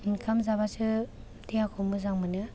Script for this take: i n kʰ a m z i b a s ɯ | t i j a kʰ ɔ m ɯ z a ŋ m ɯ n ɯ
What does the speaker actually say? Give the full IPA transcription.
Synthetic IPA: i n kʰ a m z a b a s ɯ | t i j a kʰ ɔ m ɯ z a ŋ m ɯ n ɯ